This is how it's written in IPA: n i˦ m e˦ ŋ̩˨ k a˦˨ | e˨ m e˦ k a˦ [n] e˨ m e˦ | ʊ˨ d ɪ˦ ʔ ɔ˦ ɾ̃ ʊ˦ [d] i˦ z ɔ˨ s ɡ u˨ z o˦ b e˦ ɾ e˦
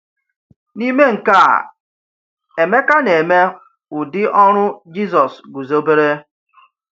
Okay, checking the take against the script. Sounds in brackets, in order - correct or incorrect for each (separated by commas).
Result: correct, incorrect